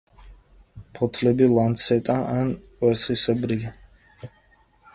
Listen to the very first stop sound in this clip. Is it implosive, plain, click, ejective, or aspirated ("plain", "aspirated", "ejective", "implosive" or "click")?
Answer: aspirated